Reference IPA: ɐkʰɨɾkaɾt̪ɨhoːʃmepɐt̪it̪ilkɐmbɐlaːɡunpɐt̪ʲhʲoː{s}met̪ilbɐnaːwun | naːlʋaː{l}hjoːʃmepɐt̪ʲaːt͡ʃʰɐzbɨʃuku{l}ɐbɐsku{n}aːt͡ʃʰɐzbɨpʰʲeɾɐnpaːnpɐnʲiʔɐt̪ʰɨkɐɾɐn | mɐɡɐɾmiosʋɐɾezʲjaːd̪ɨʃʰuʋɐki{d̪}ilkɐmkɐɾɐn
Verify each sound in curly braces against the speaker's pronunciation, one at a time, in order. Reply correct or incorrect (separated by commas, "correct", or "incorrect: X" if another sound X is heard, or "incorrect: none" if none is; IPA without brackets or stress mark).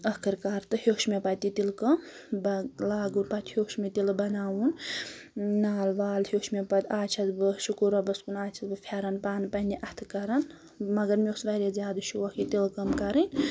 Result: incorrect: ʃ, correct, incorrect: ɾ, correct, incorrect: t̪